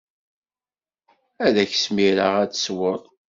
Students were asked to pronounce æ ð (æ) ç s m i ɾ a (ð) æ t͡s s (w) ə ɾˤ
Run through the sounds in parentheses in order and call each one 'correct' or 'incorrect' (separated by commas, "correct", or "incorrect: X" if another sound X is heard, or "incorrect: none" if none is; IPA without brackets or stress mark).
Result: correct, incorrect: ʁ, correct